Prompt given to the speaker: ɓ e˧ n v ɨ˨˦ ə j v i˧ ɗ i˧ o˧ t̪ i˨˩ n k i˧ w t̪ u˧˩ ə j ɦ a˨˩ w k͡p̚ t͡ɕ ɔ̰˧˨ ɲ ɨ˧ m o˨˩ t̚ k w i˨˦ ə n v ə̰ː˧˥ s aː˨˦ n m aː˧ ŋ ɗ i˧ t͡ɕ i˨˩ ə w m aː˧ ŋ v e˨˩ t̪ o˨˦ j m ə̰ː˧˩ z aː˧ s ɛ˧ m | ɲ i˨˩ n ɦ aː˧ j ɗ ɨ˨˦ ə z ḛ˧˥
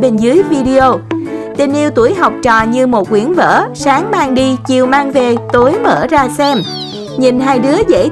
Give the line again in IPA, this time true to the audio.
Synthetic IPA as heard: ɓ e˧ n z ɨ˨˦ ə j v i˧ ɗ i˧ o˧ t̪ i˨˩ n ʔ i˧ w t̪ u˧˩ ə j ɦ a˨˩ w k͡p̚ t͡ɕ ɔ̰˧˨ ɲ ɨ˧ m o˨˩ t̚ k w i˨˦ ə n v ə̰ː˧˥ s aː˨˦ ŋ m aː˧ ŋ ɗ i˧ t͡ɕ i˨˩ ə w m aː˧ ŋ v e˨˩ t̪ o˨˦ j m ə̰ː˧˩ z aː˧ s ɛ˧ m | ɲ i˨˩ n ɦ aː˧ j ɗ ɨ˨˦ ə z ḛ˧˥

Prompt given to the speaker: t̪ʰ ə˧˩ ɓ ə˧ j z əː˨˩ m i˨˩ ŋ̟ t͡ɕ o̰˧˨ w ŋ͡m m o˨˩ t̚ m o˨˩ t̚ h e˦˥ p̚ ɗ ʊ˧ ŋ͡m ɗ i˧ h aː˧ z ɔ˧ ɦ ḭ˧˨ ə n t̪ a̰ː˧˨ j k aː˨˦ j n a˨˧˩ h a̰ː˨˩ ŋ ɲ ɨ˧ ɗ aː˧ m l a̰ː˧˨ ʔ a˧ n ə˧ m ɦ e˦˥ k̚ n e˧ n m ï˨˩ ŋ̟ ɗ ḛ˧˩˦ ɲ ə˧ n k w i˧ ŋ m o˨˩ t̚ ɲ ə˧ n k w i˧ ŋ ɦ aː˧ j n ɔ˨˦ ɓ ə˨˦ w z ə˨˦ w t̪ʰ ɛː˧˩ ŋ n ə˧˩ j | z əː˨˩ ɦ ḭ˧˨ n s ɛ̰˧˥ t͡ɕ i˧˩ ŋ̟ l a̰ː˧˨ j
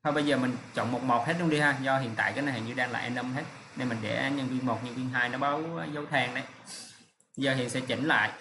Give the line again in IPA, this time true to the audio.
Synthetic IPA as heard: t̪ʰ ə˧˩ ɓ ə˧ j z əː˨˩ m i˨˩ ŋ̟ t͡ɕ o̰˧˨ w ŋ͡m m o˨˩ t̚ m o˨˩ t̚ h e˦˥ t̚ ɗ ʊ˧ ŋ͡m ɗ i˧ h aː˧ z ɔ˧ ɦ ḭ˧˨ ə n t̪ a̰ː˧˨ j k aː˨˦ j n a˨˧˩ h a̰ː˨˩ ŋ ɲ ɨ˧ ɗ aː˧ ŋ l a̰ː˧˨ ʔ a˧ n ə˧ m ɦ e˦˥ t̚ n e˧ n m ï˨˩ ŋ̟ ɗ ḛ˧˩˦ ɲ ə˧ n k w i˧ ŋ m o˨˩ t̚ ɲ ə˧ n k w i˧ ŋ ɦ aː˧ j n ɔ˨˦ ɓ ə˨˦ w z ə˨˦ w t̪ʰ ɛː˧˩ ŋ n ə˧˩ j | z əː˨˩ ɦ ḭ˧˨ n s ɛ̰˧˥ t͡ɕ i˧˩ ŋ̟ l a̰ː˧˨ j

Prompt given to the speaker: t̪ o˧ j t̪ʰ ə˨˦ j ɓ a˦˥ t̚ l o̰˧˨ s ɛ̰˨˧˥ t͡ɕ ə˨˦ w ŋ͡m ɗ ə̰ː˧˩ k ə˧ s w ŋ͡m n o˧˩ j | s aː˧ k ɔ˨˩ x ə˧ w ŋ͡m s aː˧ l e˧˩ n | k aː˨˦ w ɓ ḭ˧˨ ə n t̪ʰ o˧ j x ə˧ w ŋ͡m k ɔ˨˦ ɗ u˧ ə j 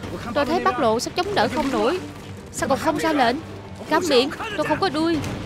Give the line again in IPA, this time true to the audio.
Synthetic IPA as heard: t̪ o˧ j t̪ʰ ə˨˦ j ɓ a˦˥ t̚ l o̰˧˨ s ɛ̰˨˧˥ t͡ɕ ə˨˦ w ŋ͡m ɗ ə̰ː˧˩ x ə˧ w ŋ͡m n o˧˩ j | s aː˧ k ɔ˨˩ x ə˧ w ŋ͡m z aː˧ l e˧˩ n | k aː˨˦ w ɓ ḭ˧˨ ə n t̪ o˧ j x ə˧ w ŋ͡m k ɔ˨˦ ɗ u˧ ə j

